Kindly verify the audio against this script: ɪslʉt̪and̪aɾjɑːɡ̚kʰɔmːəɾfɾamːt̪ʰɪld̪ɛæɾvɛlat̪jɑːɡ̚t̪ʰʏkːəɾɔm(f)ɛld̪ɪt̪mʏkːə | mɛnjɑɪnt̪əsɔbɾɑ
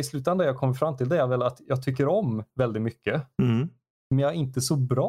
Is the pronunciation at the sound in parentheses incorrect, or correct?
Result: incorrect